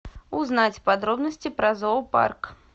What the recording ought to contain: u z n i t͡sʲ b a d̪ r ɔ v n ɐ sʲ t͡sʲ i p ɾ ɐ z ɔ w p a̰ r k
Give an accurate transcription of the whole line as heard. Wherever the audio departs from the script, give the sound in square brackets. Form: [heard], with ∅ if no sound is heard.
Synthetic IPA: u z n [a] t͡sʲ [p] a d̪ [ɾ] ɔ [b] n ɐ sʲ t͡sʲ i p ɾ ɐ z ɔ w p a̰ r k